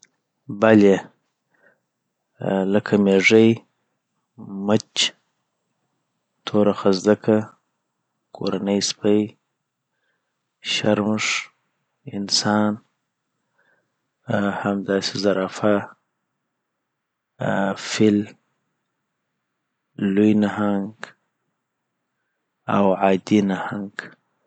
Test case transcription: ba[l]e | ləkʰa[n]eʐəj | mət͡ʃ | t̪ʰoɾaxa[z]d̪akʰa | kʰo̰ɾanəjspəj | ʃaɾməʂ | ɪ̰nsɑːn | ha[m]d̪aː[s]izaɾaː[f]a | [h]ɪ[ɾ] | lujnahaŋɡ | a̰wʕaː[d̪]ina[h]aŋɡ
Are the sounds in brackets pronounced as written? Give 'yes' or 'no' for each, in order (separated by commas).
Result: yes, no, yes, yes, yes, yes, no, no, yes, yes